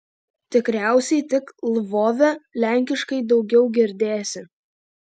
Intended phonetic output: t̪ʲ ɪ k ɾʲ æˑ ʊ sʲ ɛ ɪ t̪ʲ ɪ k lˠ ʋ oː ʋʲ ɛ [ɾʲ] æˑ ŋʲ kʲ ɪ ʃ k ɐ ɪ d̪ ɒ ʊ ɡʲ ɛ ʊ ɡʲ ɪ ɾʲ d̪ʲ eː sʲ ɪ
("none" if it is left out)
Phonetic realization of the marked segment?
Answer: lʲ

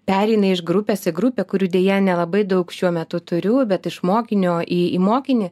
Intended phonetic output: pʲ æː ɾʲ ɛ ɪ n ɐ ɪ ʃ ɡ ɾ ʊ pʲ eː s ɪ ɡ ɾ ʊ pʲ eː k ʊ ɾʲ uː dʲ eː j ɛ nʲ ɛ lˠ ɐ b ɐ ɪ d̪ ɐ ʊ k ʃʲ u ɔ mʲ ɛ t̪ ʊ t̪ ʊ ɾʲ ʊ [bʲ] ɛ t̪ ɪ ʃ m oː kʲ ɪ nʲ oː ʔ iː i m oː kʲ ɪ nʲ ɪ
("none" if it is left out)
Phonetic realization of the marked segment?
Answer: bʲ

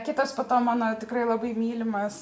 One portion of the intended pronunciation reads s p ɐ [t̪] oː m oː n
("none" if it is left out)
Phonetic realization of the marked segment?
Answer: t̪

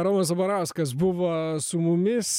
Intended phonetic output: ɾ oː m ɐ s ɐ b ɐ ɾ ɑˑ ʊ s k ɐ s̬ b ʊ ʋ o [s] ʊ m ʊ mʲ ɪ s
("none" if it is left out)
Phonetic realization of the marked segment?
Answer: s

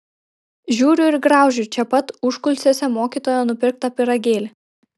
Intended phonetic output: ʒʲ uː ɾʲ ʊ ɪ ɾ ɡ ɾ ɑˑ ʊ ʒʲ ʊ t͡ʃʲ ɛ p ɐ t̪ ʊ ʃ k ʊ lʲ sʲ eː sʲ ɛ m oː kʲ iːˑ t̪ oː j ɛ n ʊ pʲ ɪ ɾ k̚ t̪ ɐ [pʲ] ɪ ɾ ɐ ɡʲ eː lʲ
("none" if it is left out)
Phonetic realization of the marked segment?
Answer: pʲ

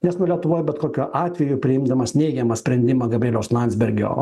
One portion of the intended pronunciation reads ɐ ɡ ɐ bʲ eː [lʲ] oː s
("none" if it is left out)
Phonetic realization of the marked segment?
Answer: lʲ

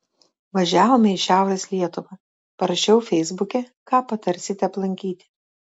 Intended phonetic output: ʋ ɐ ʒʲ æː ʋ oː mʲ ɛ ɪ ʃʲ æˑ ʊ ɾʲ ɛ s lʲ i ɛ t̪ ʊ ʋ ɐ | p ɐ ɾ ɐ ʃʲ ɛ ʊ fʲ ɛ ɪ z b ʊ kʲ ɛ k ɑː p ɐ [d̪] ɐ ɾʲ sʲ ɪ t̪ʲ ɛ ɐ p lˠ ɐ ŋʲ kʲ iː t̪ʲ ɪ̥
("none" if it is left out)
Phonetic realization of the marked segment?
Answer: t̪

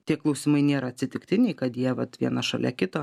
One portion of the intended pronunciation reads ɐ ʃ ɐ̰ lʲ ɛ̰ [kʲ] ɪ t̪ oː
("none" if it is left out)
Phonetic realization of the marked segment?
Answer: kʲ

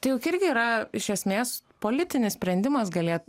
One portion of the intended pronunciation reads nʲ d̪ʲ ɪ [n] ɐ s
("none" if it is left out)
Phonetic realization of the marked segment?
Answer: m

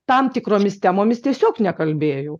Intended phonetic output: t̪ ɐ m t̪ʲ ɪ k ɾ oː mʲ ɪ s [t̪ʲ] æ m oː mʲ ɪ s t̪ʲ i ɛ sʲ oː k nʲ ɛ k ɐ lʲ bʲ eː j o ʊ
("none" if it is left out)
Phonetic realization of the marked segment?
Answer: t̪ʲ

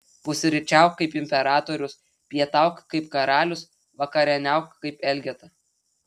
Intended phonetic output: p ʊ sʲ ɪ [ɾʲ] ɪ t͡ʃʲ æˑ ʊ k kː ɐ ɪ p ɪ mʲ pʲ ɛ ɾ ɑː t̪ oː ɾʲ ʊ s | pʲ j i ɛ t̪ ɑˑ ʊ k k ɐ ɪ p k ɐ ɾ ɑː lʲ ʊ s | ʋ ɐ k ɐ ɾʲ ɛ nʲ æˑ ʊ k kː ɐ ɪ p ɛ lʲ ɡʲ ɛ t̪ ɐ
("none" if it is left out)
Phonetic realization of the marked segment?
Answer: ɾʲ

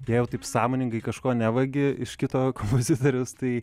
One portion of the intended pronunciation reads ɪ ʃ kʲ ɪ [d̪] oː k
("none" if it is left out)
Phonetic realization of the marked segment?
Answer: t̪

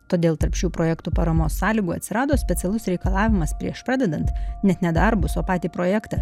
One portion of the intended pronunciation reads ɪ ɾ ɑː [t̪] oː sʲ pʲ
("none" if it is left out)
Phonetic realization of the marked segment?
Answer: d̪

